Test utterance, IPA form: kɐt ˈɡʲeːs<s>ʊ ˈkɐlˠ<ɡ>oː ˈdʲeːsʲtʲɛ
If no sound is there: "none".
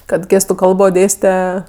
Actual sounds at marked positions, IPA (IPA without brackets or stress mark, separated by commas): t, b